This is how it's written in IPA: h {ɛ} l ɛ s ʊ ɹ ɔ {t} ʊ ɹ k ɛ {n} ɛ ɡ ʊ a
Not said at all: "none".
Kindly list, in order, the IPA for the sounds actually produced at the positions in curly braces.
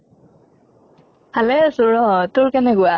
a, t, n

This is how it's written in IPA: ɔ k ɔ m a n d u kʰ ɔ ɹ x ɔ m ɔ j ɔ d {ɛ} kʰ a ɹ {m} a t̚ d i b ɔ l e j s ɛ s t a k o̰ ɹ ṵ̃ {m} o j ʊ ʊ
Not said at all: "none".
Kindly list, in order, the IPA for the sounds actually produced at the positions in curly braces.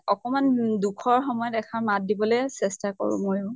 ɛ, m, m

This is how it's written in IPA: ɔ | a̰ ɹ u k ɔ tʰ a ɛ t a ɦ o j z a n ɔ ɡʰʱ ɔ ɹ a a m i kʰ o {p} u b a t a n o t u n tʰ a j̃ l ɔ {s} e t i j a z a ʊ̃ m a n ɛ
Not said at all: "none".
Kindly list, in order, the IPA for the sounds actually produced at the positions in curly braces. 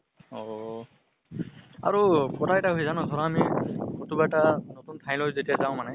t, z

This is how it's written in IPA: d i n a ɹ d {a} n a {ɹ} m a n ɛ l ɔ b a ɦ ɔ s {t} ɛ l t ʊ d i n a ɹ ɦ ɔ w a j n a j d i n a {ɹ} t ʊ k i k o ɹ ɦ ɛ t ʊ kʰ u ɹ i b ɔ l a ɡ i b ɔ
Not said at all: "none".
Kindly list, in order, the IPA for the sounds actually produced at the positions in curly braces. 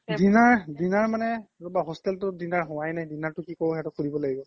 i, ɹ, t, ɹ

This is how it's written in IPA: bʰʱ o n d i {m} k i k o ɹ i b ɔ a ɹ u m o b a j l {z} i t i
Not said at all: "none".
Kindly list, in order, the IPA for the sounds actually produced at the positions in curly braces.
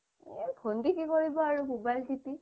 none, s

